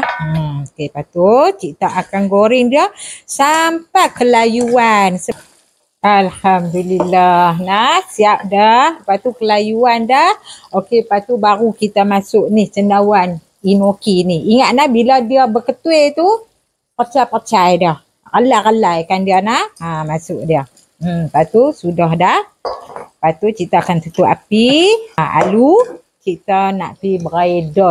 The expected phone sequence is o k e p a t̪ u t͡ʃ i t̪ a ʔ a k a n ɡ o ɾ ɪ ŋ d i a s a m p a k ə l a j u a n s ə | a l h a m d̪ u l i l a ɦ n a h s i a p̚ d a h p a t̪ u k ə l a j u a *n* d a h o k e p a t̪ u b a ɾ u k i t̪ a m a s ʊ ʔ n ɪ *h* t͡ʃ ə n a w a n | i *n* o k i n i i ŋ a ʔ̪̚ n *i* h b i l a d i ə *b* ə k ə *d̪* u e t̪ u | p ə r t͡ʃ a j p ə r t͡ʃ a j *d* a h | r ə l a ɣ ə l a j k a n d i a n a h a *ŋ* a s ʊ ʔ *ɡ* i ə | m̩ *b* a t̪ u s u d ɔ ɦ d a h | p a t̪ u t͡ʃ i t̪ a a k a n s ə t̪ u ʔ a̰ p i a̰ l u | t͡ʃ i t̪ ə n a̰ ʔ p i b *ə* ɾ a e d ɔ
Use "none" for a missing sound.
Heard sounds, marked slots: n, h, n, a, b, t̪, d, m, d, p, ə

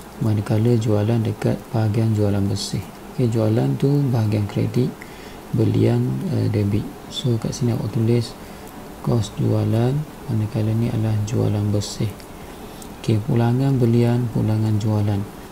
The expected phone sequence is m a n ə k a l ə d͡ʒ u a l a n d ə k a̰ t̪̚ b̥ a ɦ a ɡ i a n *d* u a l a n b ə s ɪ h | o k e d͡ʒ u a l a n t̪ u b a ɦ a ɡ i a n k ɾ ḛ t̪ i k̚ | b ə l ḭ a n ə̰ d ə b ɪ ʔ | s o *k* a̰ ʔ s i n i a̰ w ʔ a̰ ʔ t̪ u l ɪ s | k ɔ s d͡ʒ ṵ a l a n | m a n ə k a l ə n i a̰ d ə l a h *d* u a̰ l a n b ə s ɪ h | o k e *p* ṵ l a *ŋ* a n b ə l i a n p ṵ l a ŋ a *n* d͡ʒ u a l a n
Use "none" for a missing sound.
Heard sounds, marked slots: d͡ʒ, k, d͡ʒ, p, ŋ, n

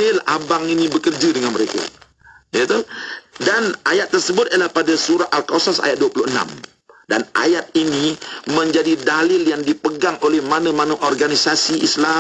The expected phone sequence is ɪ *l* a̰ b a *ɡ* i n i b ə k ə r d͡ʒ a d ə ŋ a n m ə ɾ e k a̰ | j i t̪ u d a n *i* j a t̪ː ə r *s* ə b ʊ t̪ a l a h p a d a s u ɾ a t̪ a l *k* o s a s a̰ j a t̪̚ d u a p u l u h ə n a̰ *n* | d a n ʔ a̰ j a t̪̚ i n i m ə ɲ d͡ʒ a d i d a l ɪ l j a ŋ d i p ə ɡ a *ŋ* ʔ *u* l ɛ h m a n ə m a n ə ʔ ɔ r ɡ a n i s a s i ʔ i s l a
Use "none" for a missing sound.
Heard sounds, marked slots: l, ŋ, a, s, k, m, ŋ, o

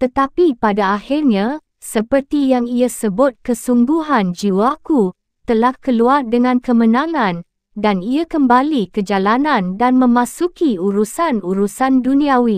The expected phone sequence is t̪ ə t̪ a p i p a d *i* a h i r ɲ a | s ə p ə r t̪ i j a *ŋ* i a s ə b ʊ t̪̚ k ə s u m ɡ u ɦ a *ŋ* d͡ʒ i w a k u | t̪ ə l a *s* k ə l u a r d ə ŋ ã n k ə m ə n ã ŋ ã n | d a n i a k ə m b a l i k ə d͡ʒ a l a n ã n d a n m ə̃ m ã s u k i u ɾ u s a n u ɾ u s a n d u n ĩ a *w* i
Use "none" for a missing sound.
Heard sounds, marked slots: a, ŋ, n, h, w

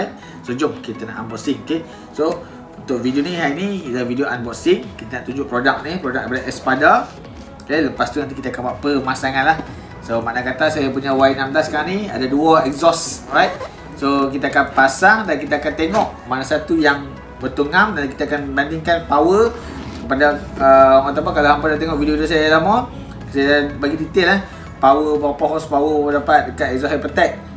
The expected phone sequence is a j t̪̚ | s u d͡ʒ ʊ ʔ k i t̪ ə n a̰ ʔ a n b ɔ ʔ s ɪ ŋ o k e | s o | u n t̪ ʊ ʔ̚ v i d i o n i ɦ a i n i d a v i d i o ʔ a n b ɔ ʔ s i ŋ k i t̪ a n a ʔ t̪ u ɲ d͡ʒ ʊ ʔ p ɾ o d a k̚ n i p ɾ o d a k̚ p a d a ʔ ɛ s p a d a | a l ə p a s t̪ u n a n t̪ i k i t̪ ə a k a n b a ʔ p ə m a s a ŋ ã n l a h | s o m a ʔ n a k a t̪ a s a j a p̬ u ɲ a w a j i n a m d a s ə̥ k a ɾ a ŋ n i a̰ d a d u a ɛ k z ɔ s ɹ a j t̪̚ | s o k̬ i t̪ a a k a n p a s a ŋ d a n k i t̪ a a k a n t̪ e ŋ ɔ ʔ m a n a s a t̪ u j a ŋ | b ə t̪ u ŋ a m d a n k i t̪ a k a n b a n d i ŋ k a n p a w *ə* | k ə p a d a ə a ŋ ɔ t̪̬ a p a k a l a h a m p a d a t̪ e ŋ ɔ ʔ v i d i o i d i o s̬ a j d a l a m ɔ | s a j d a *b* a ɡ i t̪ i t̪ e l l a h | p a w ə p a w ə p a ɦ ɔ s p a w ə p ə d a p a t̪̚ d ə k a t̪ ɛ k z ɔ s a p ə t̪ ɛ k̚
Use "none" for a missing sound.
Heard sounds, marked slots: ə, b

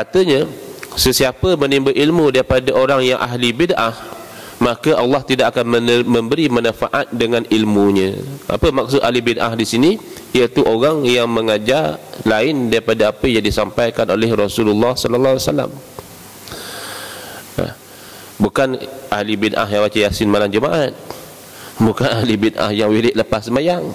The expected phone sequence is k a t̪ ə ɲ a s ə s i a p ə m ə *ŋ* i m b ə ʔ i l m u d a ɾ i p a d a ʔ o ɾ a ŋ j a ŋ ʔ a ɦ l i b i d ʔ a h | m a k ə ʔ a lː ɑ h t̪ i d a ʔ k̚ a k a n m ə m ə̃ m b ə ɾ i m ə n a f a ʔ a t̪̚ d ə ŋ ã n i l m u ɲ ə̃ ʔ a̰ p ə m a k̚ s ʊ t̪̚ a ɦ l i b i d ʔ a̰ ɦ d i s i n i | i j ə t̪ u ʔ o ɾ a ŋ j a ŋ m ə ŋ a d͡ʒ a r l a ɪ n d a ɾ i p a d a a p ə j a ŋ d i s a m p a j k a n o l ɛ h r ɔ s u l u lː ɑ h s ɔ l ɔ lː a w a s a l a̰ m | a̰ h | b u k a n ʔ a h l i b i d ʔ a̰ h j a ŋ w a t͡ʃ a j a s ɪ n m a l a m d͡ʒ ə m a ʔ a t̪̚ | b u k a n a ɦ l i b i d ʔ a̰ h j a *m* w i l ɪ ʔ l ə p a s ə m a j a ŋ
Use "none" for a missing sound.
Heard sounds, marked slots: n, ŋ

